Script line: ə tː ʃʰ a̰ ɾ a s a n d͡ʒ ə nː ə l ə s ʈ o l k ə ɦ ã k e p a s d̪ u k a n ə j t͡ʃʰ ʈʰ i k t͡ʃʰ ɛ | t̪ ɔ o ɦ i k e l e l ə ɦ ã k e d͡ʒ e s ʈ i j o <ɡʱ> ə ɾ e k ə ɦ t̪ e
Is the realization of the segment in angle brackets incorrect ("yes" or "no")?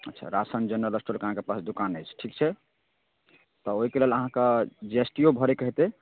yes